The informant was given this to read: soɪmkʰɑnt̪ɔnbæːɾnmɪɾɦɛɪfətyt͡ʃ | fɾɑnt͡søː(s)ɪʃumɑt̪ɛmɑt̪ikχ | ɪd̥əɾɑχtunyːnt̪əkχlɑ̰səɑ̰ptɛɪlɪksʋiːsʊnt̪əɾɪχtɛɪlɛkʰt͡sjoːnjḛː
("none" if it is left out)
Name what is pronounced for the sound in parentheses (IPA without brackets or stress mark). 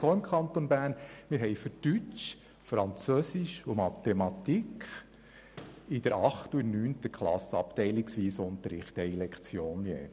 s